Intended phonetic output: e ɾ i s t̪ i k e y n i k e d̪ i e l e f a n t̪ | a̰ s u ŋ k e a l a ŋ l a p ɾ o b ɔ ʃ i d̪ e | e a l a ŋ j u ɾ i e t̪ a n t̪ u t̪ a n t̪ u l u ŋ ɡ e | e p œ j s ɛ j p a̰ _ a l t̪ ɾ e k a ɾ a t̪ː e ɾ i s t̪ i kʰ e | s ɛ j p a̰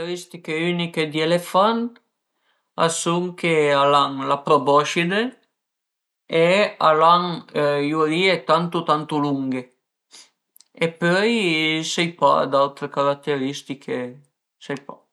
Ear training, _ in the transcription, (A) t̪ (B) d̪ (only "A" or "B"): B